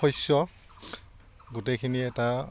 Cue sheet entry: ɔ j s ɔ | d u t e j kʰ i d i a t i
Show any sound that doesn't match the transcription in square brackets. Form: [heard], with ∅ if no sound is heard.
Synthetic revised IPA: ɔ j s ɔ | [ɡ] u t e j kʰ i [n] i [ɛ] t [a]